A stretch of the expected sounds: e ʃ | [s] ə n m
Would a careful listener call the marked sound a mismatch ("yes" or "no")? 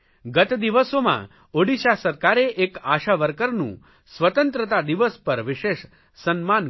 no